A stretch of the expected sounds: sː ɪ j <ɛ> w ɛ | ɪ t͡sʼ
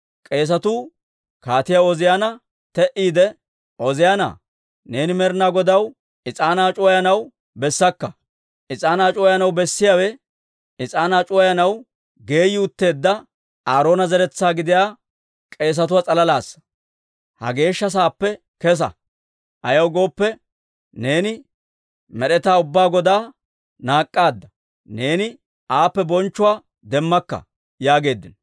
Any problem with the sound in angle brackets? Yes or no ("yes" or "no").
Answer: yes